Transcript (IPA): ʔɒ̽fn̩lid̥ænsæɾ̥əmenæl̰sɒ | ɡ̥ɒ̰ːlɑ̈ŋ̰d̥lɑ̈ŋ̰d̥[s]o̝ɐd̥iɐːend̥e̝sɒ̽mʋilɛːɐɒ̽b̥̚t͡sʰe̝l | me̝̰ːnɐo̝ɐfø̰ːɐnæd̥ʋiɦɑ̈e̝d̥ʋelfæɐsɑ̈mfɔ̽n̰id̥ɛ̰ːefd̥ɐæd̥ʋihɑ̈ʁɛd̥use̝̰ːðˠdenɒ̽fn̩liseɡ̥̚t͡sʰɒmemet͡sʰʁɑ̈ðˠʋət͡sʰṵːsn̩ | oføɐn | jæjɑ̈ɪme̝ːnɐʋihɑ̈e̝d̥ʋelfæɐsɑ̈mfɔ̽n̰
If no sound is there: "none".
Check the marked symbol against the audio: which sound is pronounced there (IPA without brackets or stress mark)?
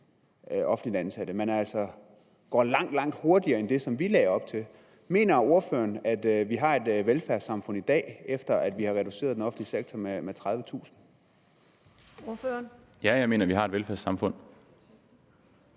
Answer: h